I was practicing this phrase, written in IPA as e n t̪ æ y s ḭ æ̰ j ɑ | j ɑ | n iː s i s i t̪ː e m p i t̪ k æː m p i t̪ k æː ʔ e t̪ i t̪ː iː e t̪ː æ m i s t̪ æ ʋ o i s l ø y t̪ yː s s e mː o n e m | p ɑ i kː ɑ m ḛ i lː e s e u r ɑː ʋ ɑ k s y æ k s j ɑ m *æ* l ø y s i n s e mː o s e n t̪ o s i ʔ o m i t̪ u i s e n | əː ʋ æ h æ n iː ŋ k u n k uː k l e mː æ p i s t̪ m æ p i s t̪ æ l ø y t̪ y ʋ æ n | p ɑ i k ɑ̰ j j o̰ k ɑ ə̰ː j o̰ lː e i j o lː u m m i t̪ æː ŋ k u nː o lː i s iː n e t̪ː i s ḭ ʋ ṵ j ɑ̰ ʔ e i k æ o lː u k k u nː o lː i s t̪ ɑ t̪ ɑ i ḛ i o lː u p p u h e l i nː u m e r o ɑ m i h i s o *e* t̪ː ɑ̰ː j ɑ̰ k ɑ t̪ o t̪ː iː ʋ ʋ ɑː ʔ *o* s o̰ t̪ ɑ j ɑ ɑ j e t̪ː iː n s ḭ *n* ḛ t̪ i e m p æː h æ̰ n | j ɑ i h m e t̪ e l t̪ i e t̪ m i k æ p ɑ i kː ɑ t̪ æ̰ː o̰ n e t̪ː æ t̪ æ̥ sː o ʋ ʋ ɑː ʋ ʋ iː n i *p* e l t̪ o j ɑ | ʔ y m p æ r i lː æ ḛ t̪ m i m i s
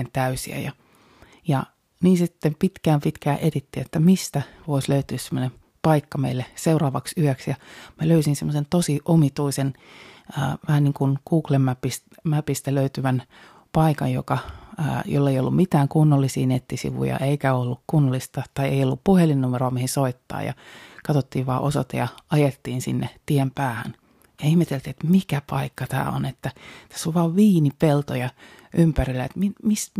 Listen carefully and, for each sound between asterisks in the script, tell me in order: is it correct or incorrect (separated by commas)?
correct, incorrect, correct, incorrect, correct